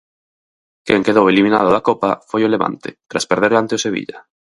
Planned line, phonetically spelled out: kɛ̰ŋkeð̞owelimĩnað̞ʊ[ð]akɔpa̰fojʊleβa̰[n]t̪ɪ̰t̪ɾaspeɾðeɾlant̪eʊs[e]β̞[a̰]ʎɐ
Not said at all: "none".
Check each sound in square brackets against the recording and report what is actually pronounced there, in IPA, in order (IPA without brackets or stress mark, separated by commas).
ð, n, e, ḭ